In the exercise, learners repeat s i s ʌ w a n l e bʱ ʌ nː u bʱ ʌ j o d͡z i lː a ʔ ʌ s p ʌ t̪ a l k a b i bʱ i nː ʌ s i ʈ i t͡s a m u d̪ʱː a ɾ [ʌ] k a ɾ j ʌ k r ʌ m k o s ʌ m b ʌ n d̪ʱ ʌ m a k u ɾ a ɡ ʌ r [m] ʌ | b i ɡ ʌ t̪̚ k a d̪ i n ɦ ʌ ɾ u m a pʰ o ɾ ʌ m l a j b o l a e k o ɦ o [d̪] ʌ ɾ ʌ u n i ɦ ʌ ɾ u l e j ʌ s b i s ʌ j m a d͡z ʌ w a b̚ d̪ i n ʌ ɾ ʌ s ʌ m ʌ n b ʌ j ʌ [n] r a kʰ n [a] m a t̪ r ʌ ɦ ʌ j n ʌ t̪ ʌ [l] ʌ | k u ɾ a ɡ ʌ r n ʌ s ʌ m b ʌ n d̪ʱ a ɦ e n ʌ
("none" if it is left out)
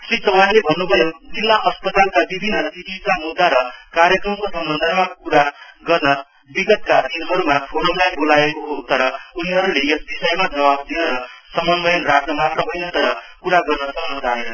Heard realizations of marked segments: ʌ, n, t̪, n, ʌ, ɾ

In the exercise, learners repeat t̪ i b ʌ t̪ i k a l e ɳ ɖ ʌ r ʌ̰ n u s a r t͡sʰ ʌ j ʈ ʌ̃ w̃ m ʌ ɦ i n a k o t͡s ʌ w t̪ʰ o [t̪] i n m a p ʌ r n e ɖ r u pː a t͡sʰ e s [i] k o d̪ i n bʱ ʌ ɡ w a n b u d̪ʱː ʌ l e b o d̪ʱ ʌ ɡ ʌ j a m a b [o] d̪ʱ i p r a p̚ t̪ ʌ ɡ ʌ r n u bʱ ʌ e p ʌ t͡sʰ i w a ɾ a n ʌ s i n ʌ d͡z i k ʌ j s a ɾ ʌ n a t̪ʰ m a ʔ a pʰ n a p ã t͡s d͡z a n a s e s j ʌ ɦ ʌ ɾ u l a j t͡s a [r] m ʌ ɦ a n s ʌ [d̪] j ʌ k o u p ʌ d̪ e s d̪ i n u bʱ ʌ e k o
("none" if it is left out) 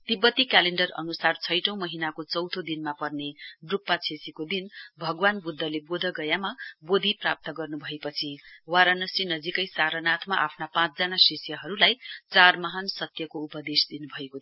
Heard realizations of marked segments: d̪, i, o, r, t̪

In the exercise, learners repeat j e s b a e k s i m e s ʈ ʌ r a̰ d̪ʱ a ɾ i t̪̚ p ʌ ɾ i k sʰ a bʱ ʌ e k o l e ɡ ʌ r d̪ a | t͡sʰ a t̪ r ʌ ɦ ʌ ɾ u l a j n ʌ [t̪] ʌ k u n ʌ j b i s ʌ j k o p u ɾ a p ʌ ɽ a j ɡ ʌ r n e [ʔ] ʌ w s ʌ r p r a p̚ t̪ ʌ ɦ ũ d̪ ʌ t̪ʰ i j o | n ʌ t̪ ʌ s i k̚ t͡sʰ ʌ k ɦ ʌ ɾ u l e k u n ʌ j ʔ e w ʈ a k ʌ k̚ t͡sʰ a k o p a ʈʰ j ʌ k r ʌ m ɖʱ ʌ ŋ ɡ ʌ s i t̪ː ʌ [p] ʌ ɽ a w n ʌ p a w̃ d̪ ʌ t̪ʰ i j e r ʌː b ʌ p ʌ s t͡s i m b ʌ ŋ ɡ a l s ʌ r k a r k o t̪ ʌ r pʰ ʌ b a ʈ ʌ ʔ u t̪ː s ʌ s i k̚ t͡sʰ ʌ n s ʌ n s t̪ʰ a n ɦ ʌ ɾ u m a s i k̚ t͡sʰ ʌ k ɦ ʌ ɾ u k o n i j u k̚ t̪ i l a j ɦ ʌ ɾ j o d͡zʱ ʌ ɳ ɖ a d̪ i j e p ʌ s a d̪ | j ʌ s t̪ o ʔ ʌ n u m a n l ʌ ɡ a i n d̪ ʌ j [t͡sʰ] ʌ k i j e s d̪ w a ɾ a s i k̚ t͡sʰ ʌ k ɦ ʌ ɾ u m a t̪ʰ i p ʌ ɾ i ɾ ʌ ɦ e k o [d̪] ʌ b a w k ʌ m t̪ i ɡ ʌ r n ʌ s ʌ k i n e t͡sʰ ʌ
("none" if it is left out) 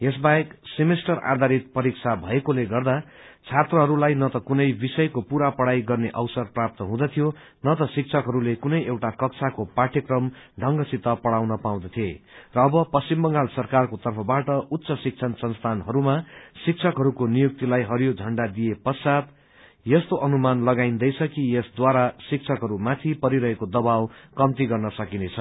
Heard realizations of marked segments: t̪, ʔ, p, t͡sʰ, d̪

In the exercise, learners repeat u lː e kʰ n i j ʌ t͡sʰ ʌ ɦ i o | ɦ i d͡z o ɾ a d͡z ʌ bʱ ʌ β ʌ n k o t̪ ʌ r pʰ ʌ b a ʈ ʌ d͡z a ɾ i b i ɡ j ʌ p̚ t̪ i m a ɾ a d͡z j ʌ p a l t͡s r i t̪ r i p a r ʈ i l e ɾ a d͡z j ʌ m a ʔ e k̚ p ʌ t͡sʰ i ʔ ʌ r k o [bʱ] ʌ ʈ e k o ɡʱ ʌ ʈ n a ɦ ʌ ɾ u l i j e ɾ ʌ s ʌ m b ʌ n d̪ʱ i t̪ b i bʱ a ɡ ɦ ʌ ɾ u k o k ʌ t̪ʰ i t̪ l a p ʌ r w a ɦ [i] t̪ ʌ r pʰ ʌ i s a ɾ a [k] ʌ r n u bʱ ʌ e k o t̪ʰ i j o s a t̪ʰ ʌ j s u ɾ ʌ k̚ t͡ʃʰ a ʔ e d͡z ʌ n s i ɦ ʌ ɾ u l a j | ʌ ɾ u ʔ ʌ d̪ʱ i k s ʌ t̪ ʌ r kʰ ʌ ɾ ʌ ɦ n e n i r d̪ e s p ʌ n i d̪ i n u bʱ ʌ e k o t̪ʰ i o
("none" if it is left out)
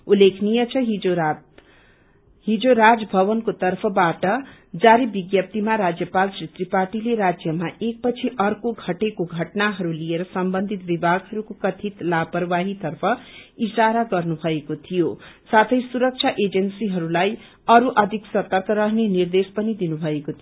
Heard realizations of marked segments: ɡʱ, i, ɡ

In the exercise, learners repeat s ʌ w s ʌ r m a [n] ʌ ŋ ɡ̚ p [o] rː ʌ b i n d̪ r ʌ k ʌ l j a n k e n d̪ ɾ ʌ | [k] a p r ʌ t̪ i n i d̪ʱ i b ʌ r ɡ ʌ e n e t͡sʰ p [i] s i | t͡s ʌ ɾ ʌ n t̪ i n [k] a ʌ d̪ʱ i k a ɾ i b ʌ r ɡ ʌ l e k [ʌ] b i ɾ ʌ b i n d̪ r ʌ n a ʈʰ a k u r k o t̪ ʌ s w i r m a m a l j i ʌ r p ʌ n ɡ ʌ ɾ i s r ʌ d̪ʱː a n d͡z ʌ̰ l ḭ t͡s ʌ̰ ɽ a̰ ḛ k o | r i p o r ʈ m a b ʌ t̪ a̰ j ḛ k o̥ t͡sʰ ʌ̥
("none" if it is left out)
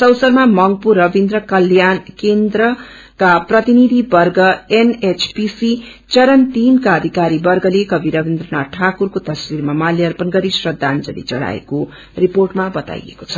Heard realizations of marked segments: m, u, k, i, k, ʌ

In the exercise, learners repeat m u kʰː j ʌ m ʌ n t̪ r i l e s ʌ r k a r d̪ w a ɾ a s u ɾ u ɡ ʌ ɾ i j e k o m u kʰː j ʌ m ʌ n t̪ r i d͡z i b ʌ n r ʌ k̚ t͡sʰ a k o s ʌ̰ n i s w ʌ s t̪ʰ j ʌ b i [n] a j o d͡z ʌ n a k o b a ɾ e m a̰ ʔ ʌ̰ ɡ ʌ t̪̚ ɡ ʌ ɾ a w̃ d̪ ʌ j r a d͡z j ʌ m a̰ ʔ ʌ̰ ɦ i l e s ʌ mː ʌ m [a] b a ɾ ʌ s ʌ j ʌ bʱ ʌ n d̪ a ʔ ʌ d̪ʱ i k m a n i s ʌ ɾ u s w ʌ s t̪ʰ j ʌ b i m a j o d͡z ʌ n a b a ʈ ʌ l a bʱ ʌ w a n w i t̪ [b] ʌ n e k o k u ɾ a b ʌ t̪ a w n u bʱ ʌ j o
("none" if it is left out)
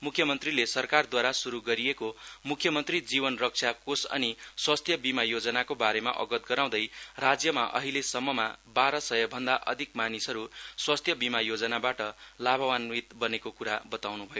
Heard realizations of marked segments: m, a, b

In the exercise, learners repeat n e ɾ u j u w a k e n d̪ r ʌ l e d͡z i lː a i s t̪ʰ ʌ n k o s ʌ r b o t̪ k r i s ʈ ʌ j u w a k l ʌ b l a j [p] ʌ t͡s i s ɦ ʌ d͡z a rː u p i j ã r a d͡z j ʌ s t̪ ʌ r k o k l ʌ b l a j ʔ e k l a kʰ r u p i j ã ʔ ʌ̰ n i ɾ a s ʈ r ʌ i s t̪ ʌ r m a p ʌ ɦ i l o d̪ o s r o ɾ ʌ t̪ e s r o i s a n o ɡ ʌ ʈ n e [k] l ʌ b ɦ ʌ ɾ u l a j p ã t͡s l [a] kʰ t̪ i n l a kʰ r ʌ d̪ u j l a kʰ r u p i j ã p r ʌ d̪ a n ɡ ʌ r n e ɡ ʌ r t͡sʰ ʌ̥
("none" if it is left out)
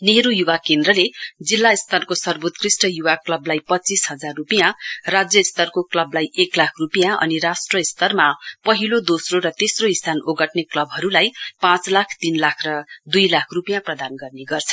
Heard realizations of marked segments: p, k, a

